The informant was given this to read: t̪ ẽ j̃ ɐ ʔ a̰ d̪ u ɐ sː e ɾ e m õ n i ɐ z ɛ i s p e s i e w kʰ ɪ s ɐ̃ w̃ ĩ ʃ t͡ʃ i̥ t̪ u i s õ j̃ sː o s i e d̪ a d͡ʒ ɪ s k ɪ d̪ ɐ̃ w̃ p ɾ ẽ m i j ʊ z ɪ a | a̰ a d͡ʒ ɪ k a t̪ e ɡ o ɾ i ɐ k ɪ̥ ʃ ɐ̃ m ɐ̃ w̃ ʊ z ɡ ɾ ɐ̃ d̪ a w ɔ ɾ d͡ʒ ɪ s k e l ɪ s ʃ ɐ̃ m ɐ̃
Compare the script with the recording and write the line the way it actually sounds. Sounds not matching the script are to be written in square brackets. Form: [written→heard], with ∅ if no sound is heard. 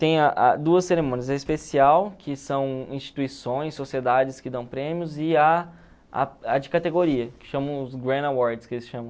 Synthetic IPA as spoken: t̪ ẽ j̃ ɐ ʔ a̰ d̪ u ɐ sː e ɾ e m õ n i ɐ z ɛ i s p e s i [e→a] w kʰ ɪ s ɐ̃ w̃ ĩ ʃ t͡ʃ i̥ t̪ u i s õ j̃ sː o s i e d̪ a d͡ʒ ɪ s k ɪ d̪ ɐ̃ w̃ p ɾ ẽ m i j ʊ z ɪ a | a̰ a d͡ʒ ɪ k a t̪ e ɡ o ɾ i ɐ k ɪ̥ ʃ ɐ̃ m ɐ̃ w̃ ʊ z ɡ ɾ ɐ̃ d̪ a w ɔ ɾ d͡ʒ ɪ s k e l ɪ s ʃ ɐ̃ m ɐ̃